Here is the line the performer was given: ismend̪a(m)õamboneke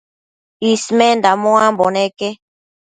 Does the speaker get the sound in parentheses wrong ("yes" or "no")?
no